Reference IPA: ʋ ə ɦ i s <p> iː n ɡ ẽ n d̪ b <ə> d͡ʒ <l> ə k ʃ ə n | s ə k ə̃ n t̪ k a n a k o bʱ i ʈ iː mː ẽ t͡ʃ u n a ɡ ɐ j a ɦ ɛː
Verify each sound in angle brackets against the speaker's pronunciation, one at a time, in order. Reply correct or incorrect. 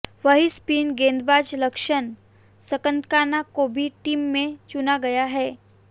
correct, incorrect: a, correct

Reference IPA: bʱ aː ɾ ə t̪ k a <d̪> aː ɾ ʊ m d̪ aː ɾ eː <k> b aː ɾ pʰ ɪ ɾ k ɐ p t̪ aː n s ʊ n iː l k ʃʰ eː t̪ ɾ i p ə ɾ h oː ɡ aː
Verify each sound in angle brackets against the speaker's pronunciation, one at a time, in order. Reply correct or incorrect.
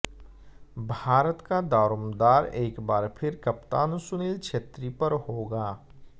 correct, correct

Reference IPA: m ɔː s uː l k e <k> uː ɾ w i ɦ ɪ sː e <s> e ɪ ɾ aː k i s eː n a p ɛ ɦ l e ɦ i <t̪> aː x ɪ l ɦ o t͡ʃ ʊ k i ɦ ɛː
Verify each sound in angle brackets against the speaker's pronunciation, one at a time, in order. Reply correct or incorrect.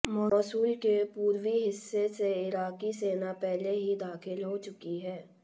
incorrect: p, correct, incorrect: d̪

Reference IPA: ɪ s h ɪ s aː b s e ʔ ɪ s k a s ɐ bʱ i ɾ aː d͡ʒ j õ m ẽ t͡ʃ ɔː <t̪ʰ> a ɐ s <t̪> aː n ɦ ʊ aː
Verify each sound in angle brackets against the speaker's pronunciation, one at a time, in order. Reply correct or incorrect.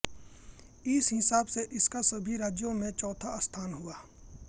correct, incorrect: t̪ʰ

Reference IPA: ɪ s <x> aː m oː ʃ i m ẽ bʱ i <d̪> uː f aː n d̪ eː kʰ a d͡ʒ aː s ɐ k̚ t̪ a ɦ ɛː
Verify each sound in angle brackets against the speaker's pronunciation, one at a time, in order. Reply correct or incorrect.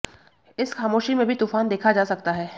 correct, incorrect: t̪

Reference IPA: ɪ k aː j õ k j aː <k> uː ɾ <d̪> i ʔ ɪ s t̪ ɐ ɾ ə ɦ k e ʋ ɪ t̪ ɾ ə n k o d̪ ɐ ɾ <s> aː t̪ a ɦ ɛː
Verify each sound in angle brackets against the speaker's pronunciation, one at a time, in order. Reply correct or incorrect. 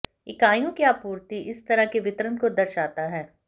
incorrect: p, incorrect: t̪, incorrect: ʃ

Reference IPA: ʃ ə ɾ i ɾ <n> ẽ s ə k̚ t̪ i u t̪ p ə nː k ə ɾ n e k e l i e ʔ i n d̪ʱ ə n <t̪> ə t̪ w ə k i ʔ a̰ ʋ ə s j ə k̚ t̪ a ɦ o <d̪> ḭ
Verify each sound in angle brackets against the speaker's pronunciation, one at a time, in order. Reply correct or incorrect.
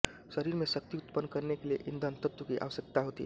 incorrect: m, correct, incorrect: t̪

